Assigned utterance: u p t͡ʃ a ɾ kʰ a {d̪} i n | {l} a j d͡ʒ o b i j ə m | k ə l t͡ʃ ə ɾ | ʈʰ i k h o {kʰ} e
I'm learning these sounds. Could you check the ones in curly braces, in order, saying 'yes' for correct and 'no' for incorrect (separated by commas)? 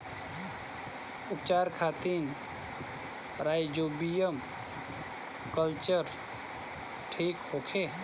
no, no, yes